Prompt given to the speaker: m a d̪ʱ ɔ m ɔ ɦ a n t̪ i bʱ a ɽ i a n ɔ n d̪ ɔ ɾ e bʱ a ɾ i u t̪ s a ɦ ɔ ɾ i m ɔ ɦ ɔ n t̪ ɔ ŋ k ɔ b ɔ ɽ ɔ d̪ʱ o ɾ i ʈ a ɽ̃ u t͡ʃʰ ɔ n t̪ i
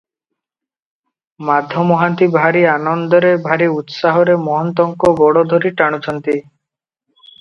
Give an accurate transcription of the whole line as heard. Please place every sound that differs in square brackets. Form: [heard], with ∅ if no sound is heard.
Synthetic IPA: m a d̪ʱ ɔ m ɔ ɦ a n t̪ i bʱ a [ɾ] i a n ɔ n d̪ ɔ ɾ e bʱ a ɾ i u t̪ s a ɦ ɔ ɾ [e] m ɔ ɦ ɔ n t̪ ɔ ŋ k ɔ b ɔ ɽ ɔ d̪ʱ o ɾ i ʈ a ɽ̃ u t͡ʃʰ ɔ n t̪ i